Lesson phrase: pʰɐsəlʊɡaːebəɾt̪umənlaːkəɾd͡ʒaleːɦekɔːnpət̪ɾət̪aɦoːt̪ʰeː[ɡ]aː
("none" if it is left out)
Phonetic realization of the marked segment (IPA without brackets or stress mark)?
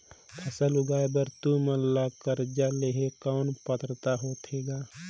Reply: ɡ